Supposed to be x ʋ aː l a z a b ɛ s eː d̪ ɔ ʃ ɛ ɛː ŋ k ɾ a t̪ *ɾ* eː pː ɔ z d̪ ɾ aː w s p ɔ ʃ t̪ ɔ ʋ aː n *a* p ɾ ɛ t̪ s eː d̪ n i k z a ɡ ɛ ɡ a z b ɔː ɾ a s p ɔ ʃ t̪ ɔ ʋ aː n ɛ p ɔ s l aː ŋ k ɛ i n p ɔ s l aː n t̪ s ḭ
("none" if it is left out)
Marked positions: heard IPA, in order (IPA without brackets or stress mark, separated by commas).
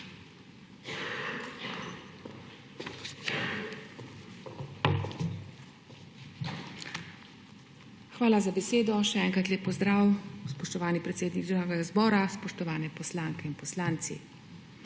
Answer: l, i